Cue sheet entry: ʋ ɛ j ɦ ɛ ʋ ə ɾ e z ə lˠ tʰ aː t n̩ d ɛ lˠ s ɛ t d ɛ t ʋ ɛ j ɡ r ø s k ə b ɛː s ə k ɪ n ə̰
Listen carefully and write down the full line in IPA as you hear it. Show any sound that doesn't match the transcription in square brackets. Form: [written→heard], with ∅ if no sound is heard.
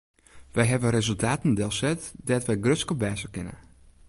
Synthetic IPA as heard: ʋ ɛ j ɦ ɛ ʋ ə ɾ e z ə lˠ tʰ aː t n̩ d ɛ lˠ s ɛ t d ɛ t ʋ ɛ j ɡ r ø s k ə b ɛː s ə k ɪ n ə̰